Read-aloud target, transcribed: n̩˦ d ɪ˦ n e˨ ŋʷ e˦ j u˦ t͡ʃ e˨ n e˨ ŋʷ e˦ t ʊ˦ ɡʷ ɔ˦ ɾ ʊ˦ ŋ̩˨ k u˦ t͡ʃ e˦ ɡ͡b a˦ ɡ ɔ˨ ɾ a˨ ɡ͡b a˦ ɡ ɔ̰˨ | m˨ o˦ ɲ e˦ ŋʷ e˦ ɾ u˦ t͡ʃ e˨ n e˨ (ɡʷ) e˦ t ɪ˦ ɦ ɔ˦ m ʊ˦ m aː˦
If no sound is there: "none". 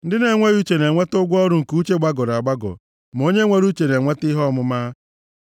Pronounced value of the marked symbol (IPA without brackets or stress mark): ŋʷ